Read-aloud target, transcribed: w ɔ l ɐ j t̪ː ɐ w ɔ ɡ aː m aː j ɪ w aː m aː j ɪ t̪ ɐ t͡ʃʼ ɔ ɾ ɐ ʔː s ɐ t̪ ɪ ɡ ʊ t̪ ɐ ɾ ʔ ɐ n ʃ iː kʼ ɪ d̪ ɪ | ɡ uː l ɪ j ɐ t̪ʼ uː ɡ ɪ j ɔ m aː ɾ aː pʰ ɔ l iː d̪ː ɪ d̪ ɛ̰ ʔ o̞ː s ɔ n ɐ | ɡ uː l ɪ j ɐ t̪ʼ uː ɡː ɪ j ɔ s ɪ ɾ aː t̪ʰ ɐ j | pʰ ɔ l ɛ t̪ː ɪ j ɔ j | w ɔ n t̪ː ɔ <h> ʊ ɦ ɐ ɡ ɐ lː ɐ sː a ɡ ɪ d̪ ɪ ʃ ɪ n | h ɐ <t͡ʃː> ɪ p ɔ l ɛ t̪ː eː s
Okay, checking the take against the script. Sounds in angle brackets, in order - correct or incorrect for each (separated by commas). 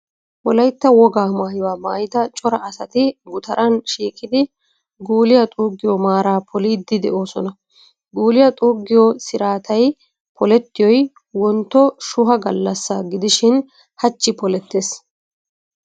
incorrect, correct